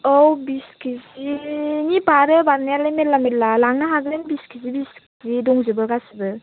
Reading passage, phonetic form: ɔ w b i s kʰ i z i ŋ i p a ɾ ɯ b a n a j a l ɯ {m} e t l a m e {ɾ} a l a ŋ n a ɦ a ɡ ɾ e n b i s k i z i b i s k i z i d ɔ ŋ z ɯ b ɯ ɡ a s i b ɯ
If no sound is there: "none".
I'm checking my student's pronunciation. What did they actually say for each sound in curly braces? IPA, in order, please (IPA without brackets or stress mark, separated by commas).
m, l